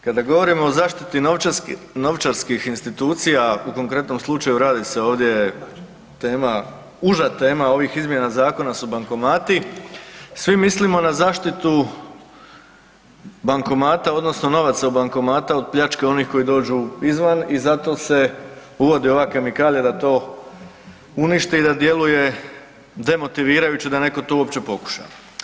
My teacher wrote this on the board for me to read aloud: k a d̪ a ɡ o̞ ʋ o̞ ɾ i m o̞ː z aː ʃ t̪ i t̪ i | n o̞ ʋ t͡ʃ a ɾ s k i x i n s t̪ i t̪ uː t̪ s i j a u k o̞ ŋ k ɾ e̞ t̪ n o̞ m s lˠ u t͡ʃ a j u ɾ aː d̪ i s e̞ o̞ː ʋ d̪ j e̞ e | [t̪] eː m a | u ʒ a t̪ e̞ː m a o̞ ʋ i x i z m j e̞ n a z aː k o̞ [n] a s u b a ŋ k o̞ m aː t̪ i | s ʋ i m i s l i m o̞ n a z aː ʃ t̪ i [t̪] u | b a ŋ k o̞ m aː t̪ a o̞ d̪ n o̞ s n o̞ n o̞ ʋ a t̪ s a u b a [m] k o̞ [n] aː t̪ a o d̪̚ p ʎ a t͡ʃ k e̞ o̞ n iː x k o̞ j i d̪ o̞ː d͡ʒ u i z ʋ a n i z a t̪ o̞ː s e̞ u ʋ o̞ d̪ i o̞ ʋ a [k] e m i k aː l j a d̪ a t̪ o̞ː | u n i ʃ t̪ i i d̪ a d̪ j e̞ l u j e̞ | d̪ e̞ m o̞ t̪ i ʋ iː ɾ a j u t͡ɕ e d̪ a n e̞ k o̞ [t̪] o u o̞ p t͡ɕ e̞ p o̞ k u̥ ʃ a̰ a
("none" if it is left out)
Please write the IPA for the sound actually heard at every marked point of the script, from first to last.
t̪, n, t̪, ŋ, m, k, t̪

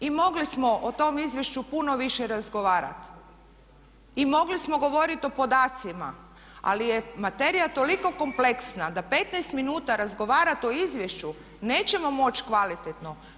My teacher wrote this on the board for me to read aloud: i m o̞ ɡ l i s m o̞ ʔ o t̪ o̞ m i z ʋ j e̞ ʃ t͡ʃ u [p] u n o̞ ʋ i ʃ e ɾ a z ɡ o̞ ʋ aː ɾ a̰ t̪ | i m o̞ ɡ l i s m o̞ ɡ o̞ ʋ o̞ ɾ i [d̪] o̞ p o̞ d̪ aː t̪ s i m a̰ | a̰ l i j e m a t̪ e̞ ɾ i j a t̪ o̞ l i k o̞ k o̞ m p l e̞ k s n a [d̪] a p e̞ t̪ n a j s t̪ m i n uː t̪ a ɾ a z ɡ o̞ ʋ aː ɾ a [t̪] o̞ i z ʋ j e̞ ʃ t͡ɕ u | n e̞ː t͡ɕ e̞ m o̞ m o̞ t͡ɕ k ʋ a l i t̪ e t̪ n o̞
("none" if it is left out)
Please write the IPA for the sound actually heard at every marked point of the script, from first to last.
p, t̪, d̪, t̪

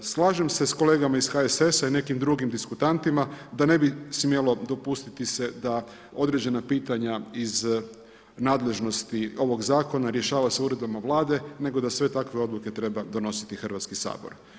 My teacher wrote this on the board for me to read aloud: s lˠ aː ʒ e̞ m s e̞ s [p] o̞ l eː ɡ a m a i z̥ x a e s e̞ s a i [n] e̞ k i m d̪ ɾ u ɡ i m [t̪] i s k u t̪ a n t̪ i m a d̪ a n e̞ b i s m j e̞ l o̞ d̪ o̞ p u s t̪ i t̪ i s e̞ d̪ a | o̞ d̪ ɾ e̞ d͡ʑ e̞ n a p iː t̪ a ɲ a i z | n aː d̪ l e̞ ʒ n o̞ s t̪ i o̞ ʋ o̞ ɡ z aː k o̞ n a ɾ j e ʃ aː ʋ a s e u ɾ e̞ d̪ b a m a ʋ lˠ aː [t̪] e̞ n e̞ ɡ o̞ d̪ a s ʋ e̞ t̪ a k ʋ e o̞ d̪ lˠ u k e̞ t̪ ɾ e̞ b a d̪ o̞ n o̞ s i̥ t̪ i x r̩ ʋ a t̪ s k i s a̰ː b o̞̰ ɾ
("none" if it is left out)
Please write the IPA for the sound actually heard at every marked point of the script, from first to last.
k, n, d̪, d̪

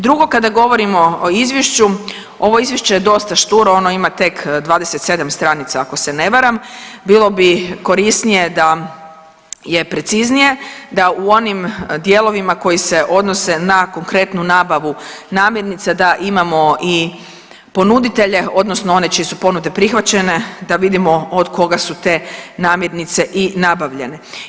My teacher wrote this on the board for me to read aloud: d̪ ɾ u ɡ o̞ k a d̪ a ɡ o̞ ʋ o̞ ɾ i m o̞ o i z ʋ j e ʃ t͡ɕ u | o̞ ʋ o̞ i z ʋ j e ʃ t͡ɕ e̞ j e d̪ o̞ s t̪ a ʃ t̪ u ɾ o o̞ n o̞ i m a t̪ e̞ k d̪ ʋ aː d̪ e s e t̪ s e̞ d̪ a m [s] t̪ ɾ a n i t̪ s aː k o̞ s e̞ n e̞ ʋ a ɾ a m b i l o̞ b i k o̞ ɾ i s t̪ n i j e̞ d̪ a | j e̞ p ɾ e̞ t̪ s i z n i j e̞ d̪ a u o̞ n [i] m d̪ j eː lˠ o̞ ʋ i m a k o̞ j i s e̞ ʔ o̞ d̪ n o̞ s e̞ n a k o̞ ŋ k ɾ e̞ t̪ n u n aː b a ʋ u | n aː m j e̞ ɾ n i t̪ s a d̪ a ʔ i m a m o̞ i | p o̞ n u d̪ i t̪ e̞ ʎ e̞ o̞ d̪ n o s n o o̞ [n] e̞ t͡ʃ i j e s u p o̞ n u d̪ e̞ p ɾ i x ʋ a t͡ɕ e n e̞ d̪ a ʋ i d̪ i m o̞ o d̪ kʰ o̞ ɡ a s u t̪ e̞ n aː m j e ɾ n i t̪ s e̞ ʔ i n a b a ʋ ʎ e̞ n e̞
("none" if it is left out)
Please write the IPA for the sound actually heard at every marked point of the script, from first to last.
s, i, n

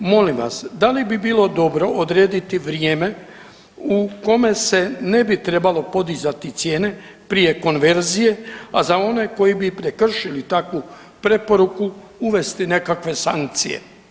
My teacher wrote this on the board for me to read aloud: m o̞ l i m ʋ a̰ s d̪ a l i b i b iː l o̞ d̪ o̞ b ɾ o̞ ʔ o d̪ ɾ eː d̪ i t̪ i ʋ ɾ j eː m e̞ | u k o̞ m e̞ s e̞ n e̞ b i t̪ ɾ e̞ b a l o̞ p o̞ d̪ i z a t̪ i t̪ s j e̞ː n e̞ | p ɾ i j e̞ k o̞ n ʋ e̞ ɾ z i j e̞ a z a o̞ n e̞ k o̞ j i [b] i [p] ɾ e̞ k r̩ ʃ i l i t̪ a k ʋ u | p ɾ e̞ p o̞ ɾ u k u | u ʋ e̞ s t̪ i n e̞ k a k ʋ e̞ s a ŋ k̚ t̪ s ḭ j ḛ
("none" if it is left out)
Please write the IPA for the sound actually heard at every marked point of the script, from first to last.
b, p

